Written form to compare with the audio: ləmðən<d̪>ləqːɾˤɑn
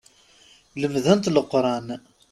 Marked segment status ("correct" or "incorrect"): incorrect